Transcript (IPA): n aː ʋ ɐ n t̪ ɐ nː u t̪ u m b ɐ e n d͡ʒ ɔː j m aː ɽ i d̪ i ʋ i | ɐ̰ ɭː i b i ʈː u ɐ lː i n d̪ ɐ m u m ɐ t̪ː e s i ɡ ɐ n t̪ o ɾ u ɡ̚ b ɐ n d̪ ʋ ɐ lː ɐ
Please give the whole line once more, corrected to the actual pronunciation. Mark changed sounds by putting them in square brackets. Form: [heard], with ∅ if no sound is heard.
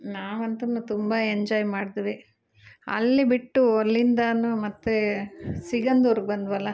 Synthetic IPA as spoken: n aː ʋ ɐ n t̪ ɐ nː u t̪ u m b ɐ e [ɲ] d͡ʒ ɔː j m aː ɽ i d̪ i ʋ i | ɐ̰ [lː] i b i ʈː u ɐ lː i n d̪ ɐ [n] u m ɐ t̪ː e s i ɡ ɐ n [d̪] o ɾ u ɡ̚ b ɐ n d̪ ʋ ɐ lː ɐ